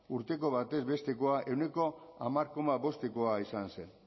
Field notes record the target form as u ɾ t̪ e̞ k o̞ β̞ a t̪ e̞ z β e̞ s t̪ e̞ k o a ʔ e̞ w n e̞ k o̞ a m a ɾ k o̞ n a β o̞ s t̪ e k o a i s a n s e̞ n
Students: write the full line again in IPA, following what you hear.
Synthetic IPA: u ɾ t̪ e̞ k o̞ β̞ a t̪ e̞ z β e̞ s t̪ e̞ k o a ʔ e̞ w n e̞ k o̞ a m a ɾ k o̞ m a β o̞ s t̪ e k o a i s a n s e̞ n